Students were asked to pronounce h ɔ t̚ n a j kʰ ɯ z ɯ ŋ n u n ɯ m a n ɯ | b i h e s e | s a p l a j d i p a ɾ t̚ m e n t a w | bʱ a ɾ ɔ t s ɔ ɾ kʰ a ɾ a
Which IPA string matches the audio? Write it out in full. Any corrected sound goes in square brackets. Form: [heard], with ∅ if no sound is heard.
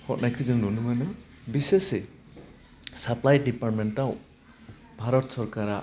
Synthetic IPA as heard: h ɔ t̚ n a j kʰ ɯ z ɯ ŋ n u n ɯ m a n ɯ | b i [s] e s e | s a p l a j d i p a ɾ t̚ m e n t a w | bʱ a ɾ ɔ t s ɔ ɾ [k] a ɾ a